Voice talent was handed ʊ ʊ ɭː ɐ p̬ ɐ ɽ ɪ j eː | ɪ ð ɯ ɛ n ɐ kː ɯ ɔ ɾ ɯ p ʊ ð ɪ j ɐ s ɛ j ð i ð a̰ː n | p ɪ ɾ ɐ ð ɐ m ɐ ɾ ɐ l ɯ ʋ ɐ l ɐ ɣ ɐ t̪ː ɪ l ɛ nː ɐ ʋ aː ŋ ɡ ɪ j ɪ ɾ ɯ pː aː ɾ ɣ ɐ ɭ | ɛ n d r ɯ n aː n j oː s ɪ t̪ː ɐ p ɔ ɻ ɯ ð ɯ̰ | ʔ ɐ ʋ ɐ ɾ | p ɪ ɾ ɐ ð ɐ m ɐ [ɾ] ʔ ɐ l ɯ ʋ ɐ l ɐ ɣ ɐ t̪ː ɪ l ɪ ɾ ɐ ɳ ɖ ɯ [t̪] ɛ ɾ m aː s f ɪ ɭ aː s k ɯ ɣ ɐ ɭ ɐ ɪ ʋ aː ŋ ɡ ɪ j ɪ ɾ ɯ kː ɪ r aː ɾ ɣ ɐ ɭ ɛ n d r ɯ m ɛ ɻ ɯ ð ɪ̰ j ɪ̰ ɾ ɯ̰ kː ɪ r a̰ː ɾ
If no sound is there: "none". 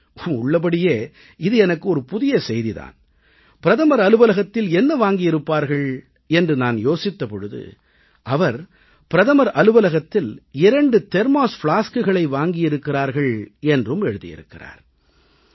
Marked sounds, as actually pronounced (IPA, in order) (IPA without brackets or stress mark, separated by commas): ɾ, t̪